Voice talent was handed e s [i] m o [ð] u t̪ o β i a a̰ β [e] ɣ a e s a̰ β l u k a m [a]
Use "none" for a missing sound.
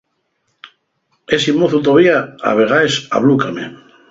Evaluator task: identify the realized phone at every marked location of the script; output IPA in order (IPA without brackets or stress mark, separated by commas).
i, θ, e, e